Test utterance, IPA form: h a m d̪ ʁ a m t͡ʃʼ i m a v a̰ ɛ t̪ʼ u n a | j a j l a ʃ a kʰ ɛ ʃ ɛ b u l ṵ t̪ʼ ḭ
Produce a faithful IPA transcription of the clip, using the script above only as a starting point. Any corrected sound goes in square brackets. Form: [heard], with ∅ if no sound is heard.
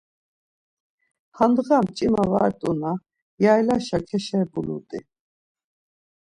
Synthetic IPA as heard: h a [n] d̪ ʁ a m t͡ʃʼ i m a v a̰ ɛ t̪ʼ u n a | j a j l a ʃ a kʰ ɛ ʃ ɛ b u l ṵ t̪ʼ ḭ